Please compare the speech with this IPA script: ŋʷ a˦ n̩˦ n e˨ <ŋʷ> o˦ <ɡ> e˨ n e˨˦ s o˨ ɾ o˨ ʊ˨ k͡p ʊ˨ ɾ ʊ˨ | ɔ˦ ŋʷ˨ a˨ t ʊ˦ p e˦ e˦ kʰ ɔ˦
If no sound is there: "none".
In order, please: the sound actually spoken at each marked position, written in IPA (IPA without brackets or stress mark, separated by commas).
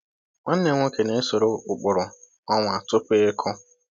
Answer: ŋʷ, k